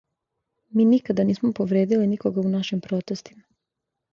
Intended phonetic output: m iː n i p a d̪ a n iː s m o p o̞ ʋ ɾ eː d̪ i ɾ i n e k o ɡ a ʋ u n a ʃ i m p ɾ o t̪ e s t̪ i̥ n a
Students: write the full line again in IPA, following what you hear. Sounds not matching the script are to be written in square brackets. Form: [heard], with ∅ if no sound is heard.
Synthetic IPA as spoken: m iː n i [k] a d̪ a n iː s m o p o̞ ʋ ɾ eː d̪ i [l] i n [i] k o ɡ a [∅] u n a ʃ i m p ɾ o t̪ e s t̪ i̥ [m] a